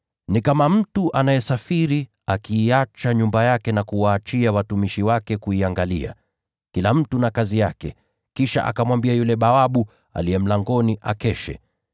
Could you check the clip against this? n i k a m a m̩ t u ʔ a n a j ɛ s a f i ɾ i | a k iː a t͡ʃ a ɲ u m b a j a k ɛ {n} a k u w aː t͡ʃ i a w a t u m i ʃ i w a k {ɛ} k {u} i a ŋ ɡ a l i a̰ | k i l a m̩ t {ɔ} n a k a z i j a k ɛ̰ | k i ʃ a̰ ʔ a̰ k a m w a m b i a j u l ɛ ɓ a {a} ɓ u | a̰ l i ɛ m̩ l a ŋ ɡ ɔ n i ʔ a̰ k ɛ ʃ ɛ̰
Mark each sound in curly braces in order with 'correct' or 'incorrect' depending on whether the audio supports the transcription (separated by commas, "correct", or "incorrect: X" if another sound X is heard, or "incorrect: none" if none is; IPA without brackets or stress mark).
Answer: correct, correct, correct, incorrect: u, correct